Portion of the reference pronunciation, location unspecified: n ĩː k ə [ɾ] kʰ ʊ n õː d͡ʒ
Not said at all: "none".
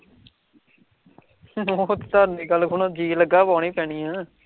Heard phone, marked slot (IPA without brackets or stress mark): l